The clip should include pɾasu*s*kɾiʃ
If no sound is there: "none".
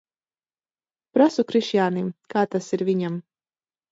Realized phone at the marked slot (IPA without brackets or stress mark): none